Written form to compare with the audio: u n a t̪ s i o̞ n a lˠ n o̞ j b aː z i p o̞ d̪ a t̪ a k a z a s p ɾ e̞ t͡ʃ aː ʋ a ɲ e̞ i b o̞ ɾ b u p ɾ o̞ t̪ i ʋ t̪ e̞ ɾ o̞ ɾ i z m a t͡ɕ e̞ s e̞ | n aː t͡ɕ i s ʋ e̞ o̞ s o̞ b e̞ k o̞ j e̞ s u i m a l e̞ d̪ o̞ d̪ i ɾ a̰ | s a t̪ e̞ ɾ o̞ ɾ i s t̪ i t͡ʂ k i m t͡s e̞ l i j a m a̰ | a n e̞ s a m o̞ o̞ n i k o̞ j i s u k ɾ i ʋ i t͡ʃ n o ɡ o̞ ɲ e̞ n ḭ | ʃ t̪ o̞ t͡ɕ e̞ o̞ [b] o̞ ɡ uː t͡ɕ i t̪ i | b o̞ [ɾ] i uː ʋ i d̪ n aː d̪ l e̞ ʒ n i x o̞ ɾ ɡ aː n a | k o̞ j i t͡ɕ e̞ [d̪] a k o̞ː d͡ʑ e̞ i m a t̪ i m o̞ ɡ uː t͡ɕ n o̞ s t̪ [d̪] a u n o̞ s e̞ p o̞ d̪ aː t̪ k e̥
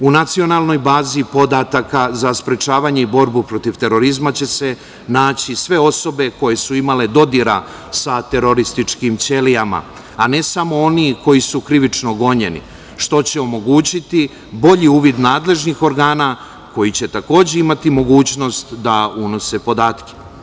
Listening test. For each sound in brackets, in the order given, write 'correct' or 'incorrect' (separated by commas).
incorrect, incorrect, incorrect, correct